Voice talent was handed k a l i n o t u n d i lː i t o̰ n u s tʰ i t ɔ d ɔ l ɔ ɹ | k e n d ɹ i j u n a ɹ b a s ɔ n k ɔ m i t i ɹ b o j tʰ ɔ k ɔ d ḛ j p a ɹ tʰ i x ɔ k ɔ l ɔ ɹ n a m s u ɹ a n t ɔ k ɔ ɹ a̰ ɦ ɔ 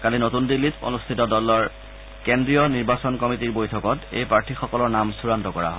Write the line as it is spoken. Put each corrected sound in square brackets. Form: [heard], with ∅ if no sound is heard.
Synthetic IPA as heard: k a l i n o t u n d i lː i t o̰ n u s tʰ i t ɔ d ɔ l ɔ ɹ | k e n d ɹ i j [ɔ] n [i] ɹ b a s ɔ n k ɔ m i t i ɹ b o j tʰ ɔ k ɔ [t] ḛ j p a ɹ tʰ i x ɔ k ɔ l ɔ ɹ n a m s u ɹ a n t ɔ k ɔ ɹ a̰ ɦ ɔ